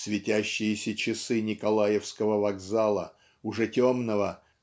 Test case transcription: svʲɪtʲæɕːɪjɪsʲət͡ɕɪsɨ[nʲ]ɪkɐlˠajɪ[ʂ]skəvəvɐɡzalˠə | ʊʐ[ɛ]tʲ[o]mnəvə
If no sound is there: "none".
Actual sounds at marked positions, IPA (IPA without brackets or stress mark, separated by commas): nʲ, f, ɛ, o